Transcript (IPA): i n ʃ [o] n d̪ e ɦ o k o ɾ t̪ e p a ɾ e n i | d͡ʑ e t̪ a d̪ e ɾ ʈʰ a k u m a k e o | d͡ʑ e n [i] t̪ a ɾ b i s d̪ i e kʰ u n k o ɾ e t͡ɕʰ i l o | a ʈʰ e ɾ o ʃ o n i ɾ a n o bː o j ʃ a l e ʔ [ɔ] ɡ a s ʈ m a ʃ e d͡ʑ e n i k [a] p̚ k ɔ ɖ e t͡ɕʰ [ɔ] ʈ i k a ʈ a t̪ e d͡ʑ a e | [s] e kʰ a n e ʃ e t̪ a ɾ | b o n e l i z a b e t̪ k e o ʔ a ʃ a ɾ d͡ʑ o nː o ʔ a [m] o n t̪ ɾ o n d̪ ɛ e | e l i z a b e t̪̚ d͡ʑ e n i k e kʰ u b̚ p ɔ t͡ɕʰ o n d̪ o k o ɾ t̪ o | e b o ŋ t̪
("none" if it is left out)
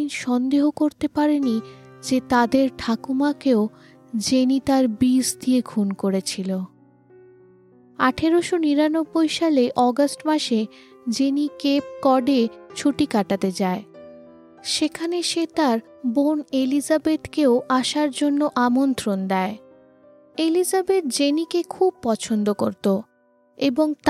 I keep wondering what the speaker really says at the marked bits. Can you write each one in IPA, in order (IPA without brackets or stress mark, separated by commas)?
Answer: ɔ, i, ɔ, e, u, ʃ, m